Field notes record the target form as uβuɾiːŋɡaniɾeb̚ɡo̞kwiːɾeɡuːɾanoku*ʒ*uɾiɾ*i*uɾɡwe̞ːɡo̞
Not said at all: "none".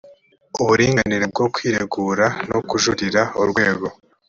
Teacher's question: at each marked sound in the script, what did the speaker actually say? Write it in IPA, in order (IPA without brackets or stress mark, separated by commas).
ʒ, a